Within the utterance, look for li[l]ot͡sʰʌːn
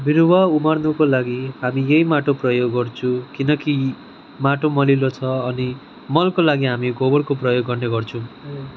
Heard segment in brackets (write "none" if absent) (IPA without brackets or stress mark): l